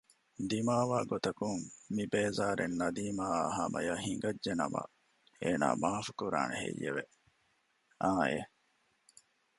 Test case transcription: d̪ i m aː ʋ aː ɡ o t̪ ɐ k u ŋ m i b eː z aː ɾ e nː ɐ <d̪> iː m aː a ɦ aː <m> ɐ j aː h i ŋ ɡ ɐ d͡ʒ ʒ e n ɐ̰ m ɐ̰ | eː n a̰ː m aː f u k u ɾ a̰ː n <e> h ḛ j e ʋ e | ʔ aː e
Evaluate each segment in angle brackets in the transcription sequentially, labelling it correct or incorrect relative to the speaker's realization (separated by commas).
correct, correct, correct